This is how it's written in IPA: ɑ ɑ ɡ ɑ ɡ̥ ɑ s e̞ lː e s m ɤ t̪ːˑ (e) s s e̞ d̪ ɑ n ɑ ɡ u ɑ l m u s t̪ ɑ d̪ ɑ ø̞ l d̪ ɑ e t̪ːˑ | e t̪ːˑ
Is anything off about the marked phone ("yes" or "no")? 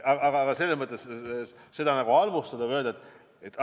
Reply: no